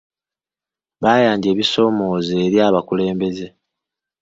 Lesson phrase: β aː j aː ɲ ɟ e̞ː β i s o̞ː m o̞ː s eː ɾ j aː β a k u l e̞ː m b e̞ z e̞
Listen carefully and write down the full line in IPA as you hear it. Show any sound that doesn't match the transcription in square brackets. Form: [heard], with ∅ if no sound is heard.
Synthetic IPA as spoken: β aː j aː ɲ ɟ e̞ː β i s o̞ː m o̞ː [z] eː ɾ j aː β a k u l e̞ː m b e̞ z e̞